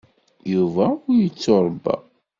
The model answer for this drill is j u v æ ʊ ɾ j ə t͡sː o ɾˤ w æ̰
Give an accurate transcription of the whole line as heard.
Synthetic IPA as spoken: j u v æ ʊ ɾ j ə t͡sː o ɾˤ b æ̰